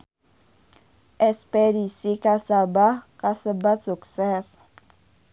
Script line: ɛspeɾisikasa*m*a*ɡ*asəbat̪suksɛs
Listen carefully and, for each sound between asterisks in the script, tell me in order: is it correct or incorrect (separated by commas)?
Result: incorrect, incorrect